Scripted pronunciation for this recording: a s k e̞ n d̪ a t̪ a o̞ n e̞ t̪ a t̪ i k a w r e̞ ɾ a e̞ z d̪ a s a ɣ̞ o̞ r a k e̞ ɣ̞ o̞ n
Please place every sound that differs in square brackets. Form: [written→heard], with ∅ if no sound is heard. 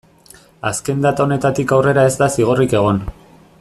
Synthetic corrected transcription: a s k e̞ n d̪ a t̪ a o̞ n e̞ t̪ a t̪ i k a w r e̞ ɾ a e̞ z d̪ a s [a→i] ɣ̞ o̞ r [a→i] k e̞ ɣ̞ o̞ n